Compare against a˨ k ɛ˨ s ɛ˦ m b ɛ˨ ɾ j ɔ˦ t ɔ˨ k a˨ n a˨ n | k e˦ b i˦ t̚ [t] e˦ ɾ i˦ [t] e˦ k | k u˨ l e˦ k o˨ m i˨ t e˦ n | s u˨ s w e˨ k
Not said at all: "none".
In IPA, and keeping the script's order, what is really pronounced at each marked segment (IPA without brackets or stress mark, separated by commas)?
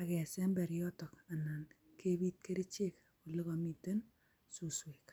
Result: k, t͡ʃ